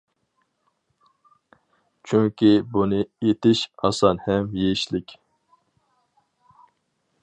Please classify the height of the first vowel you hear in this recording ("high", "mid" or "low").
high